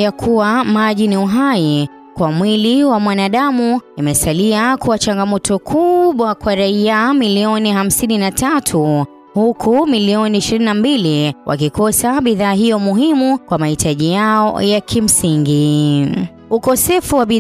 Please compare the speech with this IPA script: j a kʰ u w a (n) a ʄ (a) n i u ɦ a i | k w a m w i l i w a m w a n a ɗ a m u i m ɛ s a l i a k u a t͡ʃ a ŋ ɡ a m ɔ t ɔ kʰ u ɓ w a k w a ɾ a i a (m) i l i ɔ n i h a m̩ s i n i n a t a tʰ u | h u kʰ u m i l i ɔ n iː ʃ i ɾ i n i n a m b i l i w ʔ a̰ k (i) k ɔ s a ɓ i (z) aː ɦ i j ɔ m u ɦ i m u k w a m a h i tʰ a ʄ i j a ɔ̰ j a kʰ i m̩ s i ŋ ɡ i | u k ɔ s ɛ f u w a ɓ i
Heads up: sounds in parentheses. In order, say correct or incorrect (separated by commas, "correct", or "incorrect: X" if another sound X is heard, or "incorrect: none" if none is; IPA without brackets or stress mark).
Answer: incorrect: m, incorrect: i, correct, correct, incorrect: ð